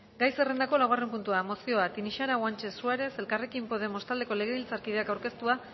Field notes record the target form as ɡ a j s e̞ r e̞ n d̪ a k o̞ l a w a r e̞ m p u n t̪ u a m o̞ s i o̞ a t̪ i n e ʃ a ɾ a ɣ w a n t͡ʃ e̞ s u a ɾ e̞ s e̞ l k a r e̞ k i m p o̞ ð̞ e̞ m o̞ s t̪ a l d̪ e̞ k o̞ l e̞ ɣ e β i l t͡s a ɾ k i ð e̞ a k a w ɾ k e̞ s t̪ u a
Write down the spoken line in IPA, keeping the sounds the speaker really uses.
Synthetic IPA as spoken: ɡ a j s e̞ r e̞ n d̪ a k o̞ l a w a r e̞ m p u n t̪ u a m o̞ s i o̞ a t̪ i n i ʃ a ɾ a ɣ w a n t͡ʃ e̞ s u a ɾ e̞ s e̞ l k a r e̞ k i m p o̞ ð̞ e̞ m o̞ s t̪ a l d̪ e̞ k o̞ l e̞ ɣ e β i l t͡s a ɾ k i ð e̞ a k a w ɾ k e̞ s t̪ u a